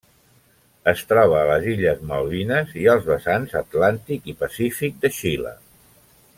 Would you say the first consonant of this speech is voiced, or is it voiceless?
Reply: voiceless